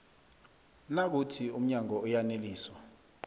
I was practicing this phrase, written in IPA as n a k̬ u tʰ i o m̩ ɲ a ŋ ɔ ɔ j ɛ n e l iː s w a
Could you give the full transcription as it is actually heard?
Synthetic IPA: n a k̬ u tʰ i u m̩ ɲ a ŋ ɔ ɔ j a n e l iː s w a